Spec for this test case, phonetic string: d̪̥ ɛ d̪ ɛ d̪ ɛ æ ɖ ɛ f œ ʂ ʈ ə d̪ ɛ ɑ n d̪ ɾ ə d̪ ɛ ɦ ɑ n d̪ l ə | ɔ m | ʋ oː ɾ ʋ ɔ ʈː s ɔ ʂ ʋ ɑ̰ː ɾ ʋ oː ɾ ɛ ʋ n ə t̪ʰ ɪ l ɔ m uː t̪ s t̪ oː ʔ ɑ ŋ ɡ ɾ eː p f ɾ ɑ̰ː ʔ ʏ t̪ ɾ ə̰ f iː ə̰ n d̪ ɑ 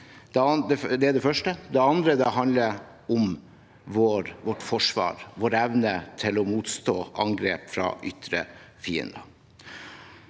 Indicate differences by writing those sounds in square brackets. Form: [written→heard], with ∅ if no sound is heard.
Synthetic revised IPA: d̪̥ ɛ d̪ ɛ d̪ ɛ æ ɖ ɛ f œ ʂ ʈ ə d̪ ɛ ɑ n d̪ ɾ ə d̪ ɛ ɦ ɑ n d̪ l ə | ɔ m | ʋ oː ɾ ʋ ɔ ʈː [s→f] ɔ ʂ ʋ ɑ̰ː ɾ ʋ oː ɾ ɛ ʋ n ə t̪ʰ ɪ l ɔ m uː t̪ s t̪ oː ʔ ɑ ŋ ɡ ɾ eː p f ɾ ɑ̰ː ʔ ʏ t̪ ɾ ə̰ f iː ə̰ n d̪ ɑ